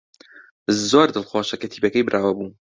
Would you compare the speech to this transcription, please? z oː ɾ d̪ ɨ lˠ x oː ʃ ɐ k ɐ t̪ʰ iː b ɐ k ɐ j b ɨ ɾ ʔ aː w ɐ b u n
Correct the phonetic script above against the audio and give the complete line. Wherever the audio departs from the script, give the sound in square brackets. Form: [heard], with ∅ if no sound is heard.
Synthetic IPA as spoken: z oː ɾ d̪ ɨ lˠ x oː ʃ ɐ k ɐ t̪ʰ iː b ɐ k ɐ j b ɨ ɾ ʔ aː w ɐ b u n